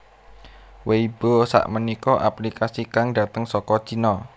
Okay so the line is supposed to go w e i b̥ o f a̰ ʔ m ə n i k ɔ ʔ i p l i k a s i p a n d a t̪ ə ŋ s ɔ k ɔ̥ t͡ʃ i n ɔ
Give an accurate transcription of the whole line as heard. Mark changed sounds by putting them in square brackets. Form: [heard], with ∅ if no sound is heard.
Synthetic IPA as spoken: w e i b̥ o [s] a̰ ʔ m ə n i k ɔ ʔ [a] p l i k a s i [k] a [ŋ] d a t̪ ə ŋ s ɔ k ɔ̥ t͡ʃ i n ɔ